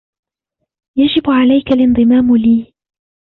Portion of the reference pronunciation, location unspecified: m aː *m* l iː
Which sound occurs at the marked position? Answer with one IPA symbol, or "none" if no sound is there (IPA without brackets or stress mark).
m